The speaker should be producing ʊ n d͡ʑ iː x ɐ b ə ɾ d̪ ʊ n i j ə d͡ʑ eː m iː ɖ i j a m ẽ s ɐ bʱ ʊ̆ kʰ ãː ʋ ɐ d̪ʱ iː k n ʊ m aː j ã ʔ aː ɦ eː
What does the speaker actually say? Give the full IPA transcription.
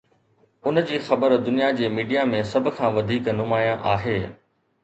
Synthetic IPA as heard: ʊ n d͡ʑ iː x ɐ b ə ɾ d̪ ʊ n i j a d͡ʑ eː m iː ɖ i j a m ẽ s ɐ bʱ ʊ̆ kʰ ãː ʋ ɐ d̪ʱ iː k n ʊ m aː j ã ʔ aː ɦ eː